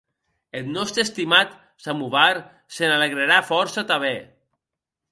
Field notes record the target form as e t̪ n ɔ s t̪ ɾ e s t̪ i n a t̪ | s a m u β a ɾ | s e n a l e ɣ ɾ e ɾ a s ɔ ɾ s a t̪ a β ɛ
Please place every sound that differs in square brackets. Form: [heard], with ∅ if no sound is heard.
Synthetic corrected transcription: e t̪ n ɔ s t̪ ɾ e s t̪ i [m] a t̪ | s a m u β a ɾ | s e n a l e ɣ ɾ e ɾ a [f] ɔ ɾ s a t̪ a β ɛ